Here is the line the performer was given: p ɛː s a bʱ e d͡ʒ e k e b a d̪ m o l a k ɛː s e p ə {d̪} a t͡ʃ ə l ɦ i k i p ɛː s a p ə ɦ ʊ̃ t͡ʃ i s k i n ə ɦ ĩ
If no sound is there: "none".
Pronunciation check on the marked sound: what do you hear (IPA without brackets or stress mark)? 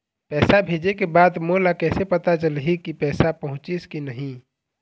t̪